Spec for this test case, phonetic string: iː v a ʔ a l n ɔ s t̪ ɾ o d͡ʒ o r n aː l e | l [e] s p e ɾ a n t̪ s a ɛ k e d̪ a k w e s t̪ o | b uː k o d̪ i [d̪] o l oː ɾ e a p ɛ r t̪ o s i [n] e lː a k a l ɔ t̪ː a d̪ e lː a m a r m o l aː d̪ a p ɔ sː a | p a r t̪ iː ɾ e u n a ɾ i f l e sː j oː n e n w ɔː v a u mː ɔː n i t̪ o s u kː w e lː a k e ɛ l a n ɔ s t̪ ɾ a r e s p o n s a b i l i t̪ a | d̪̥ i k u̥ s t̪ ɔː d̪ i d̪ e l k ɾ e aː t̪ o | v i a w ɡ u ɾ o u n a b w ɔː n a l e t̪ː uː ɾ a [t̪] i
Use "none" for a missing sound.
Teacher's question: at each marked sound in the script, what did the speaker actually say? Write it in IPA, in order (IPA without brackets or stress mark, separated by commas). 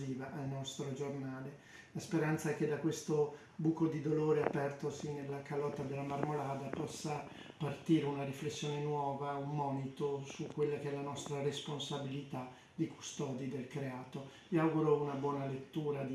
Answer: a, d̪, n, d̪